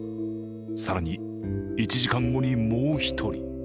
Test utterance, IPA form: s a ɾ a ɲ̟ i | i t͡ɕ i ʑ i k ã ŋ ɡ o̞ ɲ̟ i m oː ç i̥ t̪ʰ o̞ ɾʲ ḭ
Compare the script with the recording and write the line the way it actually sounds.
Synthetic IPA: s a ɾ a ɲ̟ i | i t͡ɕ i ʑ i k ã ŋ ɡ o̞ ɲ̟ i m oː ç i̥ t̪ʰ o̞ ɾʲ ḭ